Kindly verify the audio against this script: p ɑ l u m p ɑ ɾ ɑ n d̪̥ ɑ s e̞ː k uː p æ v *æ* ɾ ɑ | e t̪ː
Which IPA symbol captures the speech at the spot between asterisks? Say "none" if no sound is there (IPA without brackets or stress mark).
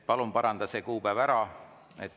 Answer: æ